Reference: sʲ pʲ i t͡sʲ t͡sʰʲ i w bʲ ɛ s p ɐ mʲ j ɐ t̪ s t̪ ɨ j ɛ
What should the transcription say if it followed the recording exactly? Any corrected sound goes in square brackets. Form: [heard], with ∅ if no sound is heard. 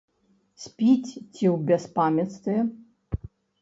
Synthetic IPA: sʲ pʲ i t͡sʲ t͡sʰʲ i w bʲ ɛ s p [a] mʲ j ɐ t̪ s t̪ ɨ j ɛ

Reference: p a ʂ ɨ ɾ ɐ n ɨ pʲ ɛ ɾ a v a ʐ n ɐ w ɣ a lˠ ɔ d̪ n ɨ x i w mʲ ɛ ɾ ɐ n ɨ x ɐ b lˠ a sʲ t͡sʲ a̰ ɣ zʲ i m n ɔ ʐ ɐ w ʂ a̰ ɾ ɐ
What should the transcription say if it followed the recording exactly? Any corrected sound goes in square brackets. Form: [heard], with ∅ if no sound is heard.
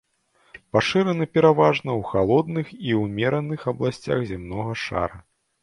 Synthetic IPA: p a ʂ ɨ ɾ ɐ n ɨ pʲ ɛ ɾ a v a ʐ n ɐ w [x] a lˠ ɔ d̪ n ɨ x i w mʲ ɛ ɾ ɐ n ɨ x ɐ b lˠ a sʲ t͡sʲ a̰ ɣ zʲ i m n ɔ [ɣ] ɐ [∅] ʂ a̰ ɾ ɐ

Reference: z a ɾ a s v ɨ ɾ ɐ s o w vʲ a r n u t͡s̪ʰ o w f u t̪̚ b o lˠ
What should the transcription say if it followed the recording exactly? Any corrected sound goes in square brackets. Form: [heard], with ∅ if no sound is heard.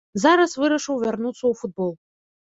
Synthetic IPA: z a ɾ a s v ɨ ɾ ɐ [ʂ] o w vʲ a r n u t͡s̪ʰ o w f u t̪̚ b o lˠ

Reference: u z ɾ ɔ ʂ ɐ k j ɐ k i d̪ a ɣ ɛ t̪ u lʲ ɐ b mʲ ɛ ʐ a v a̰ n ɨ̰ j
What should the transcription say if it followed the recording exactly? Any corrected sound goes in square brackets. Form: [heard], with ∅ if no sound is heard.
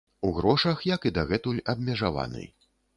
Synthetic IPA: u [ɣ] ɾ ɔ ʂ ɐ [x] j ɐ k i d̪ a ɣ ɛ t̪ u lʲ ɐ b mʲ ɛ ʐ a v a̰ n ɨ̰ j

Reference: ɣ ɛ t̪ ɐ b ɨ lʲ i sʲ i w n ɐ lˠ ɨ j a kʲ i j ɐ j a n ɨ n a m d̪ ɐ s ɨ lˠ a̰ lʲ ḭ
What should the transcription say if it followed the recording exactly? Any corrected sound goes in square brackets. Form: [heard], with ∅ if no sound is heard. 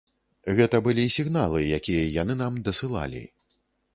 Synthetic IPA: ɣ ɛ t̪ ɐ b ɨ lʲ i sʲ i [ɣ] n [a] lˠ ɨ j a kʲ i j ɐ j a n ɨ n a m d̪ ɐ s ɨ lˠ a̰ lʲ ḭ

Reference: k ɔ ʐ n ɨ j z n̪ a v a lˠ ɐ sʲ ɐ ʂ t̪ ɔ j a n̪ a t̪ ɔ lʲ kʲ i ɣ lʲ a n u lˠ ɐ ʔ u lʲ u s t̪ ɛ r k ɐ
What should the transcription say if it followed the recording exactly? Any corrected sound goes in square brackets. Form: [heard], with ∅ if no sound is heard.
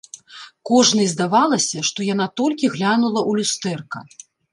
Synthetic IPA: k ɔ ʐ n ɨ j z [d̪] a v a lˠ ɐ sʲ ɐ ʂ t̪ ɔ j a n̪ a t̪ ɔ lʲ kʲ i ɣ lʲ a n u lˠ ɐ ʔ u lʲ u s t̪ ɛ r k ɐ

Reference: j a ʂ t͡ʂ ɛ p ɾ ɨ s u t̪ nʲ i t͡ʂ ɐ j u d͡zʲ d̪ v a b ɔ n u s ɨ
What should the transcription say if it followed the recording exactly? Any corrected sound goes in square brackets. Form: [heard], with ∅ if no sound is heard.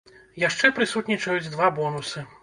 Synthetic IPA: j a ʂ t͡ʂ ɛ p ɾ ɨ s u t̪ nʲ i t͡ʂ ɐ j u d͡zʲ d̪ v a b ɔ n u s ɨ

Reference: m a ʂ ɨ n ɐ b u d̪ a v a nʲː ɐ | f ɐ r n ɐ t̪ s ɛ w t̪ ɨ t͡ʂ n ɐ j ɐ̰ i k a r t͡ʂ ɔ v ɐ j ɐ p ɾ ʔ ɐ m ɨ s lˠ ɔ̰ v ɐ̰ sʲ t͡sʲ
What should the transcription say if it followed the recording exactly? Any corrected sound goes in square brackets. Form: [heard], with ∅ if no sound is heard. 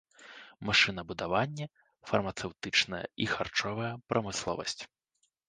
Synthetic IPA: m a ʂ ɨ n ɐ b u d̪ a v a nʲː ɐ | f ɐ r [m] ɐ t̪ s ɛ w t̪ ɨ t͡ʂ n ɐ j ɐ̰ i [x] a r t͡ʂ ɔ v ɐ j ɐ p ɾ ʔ ɐ m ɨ s lˠ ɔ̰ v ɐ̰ sʲ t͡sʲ

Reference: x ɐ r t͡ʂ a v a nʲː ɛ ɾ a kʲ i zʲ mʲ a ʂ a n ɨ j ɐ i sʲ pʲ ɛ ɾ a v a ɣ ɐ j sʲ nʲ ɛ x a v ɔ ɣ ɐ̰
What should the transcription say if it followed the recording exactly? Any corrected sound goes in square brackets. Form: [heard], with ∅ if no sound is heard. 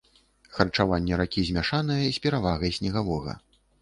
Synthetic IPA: x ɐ r t͡ʂ a v a nʲː ɛ ɾ a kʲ i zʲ mʲ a ʂ a n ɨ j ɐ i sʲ pʲ ɛ ɾ a v a ɣ ɐ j sʲ nʲ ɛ [ɣ] a v ɔ ɣ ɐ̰

